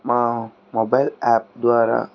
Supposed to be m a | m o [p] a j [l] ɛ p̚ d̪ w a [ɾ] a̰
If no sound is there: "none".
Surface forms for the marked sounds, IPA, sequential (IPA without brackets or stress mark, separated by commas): b, l, ɾ